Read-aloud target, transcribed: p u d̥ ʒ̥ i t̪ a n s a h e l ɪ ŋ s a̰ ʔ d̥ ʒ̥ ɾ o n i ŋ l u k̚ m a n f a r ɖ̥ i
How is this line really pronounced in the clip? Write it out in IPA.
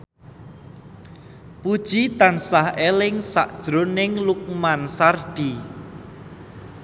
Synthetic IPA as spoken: p u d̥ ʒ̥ i t̪ a n s a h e l ɪ ŋ s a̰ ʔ d̥ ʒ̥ ɾ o n ɪ ŋ l u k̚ m a n s a r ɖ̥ i